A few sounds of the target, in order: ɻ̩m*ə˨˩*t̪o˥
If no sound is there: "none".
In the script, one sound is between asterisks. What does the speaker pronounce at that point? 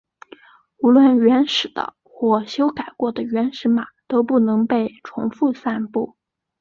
a˨˩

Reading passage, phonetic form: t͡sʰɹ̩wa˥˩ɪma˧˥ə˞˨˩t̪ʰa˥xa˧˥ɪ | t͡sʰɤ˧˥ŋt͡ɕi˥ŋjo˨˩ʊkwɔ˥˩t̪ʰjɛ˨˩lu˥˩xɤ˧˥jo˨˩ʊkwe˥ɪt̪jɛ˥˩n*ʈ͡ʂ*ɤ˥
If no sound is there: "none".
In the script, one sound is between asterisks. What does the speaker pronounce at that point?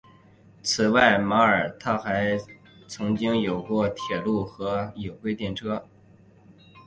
ʈ͡ʂʰ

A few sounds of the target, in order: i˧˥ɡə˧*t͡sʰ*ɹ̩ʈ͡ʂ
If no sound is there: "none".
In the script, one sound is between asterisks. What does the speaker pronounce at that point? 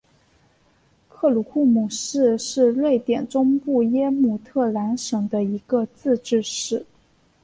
t͡s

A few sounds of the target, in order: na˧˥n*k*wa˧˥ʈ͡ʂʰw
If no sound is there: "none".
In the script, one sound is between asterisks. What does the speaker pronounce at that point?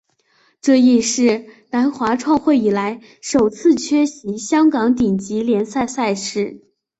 x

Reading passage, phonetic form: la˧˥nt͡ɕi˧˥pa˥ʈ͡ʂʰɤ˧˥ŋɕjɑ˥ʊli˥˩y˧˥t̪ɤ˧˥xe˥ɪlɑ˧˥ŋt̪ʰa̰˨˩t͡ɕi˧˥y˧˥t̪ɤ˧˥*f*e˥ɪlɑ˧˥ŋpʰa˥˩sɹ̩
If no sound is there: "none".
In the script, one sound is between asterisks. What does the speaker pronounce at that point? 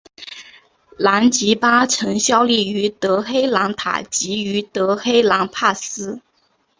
x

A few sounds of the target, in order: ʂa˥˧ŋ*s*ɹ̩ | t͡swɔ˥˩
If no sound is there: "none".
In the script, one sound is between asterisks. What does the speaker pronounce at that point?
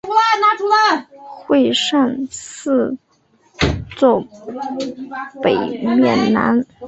s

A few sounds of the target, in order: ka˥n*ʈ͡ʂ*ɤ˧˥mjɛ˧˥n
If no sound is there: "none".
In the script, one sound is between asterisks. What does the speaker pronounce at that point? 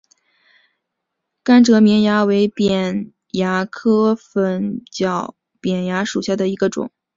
ʈ͡ʂ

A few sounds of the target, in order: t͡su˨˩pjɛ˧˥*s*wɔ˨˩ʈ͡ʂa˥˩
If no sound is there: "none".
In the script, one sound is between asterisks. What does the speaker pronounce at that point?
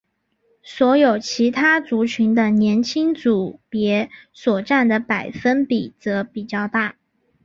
s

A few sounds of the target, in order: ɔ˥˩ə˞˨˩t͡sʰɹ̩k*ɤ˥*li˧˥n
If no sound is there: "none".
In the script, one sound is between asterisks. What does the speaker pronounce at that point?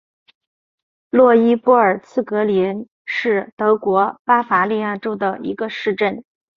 ɤ˧˥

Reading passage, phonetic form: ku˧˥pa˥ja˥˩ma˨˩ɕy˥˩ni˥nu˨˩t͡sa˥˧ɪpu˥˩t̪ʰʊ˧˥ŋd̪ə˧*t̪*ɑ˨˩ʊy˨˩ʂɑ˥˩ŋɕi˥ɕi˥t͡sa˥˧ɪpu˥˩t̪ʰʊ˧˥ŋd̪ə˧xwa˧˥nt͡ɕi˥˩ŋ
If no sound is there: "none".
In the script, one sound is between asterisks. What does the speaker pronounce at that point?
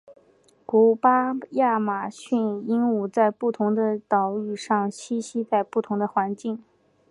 t̪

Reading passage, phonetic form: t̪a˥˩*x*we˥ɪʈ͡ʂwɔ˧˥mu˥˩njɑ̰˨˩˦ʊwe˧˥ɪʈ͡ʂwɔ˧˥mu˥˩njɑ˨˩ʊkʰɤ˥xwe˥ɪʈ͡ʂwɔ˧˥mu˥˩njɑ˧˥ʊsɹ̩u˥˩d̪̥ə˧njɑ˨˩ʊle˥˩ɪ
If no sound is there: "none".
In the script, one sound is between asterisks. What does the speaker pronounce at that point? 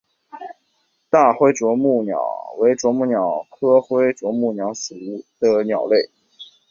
x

